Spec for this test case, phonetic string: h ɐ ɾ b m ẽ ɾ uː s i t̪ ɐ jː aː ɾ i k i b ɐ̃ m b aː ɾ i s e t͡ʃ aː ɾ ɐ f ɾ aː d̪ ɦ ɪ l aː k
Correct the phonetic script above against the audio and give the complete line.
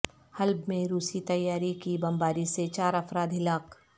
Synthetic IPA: h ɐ l b m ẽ ɾ uː s i t̪ ɐ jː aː ɾ i k i b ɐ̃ m b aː ɾ i s e t͡ʃ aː ɾ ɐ f ɾ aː d̪ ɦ ɪ l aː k

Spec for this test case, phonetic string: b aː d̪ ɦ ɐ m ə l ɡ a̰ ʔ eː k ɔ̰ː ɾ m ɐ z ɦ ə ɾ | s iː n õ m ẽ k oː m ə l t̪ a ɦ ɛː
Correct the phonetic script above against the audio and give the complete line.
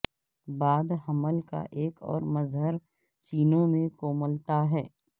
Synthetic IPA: b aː d̪ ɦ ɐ m ə l k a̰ ʔ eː k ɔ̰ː ɾ m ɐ z ɦ ə ɾ | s iː n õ m ẽ k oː m ə l t̪ a ɦ ɛː

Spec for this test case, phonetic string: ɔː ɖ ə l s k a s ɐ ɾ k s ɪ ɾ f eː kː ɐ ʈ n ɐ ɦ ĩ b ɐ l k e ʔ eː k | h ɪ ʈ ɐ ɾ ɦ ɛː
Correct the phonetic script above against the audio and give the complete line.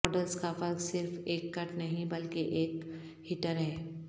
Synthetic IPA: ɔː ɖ ə l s k a f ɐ ɾ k s ɪ ɾ f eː kː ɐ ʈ n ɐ ɦ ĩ b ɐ l k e ʔ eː k | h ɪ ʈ ə ɾ ɦ ɛː

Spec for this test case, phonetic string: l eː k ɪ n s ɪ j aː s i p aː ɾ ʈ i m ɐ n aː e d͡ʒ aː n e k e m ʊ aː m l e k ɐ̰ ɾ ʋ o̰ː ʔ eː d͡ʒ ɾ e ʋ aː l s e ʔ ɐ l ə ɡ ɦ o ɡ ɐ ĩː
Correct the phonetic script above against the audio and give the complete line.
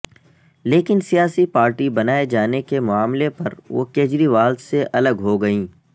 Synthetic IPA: l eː k ɪ n s i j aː s i p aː ɾ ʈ i b ɐ n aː e d͡ʒ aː n e k e m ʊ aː m l e p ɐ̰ ɾ ʋ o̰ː k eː d͡ʒ ɾ i ʋ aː l s e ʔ ɐ l ə ɡ ɦ o ɡ ɐ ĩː

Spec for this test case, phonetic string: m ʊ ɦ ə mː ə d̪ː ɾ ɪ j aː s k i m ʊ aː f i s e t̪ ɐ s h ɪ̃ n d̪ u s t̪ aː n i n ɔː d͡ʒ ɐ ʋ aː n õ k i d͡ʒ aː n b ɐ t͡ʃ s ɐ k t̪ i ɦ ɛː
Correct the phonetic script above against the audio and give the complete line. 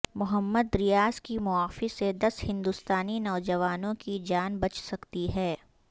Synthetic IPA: m ʊ ɦ ə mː ə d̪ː ɾ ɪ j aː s k i m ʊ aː f i s e d̪ ɐ s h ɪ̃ n d̪ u s t̪ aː n i n ɔː d͡ʒ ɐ ʋ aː n õ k i d͡ʒ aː n b ɐ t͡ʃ s ɐ k t̪ i ɦ ɛː

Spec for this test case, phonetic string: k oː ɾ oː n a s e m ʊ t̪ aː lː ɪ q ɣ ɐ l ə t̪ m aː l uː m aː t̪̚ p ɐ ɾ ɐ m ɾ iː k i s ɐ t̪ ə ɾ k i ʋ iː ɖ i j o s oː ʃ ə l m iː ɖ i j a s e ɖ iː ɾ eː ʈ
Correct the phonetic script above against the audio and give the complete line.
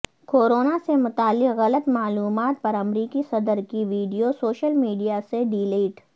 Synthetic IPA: k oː ɾ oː n a s e m ʊ t̪ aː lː ɪ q ɣ ɐ l ə t̪ m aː l uː m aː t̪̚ p ɐ ɾ ɐ m ɾ iː k i s ɐ d̪ ə ɾ k i ʋ iː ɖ i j o s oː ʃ ə l m iː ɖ i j a s e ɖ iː l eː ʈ

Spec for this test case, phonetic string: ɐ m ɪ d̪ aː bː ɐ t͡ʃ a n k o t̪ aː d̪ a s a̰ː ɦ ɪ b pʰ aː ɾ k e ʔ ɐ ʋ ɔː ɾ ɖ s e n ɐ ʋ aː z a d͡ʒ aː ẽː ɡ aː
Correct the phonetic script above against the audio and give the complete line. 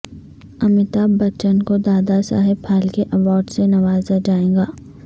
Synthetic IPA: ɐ m ɪ t̪ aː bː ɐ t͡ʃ ə n k o d̪ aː d̪ a s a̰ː ɦ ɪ b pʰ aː l k e ʔ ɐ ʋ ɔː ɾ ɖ s e n ɐ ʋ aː z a d͡ʒ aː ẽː ɡ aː

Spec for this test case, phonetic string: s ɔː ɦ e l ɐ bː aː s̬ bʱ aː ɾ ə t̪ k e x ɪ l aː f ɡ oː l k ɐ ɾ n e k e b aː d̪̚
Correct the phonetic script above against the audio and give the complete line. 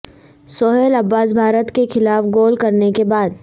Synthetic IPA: s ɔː ɦ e l ɐ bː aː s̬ bʱ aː ɾ ə t̪ k e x ɪ l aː f ɡ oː l k ɐ ɾ n e k e b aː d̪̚

